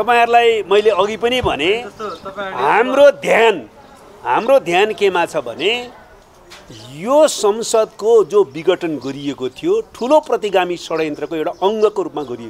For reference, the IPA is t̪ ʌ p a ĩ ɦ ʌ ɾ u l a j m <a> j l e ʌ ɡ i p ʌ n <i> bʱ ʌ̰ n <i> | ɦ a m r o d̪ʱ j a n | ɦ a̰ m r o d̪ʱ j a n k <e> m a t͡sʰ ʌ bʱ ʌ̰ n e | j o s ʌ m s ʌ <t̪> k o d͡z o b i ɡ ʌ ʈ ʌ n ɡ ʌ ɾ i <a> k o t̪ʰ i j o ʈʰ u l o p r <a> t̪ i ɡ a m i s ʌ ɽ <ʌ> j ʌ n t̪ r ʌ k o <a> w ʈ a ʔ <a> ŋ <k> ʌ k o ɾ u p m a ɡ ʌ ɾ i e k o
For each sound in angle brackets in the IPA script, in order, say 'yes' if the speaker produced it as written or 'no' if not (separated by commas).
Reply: no, yes, no, yes, no, no, no, yes, no, no, no